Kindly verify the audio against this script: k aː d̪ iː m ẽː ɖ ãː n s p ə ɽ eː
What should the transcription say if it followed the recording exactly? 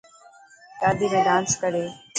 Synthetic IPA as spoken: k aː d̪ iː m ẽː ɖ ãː n s k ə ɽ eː